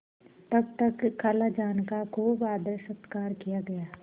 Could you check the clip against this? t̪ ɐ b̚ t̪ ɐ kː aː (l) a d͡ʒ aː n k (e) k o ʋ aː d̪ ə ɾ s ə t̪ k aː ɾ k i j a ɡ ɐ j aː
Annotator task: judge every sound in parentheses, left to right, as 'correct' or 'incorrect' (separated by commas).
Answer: correct, incorrect